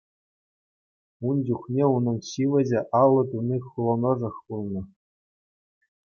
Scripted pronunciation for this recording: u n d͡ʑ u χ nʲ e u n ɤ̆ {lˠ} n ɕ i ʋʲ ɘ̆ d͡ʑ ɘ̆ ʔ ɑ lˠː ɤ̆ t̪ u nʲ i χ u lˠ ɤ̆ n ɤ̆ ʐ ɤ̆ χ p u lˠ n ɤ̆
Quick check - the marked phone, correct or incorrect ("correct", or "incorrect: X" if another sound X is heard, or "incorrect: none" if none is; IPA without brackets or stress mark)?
incorrect: none